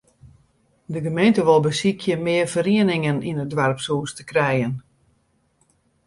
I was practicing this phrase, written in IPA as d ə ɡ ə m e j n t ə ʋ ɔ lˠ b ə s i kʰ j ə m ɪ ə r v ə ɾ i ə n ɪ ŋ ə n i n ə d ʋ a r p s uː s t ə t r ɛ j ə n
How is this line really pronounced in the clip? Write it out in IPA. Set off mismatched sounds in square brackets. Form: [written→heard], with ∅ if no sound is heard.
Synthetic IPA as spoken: d ə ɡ ə m e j n t ə ʋ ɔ lˠ b ə s i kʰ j ə m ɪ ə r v ə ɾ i ə n ɪ ŋ ə n i n ə d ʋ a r p s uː s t ə [t→k] r ɛ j ə n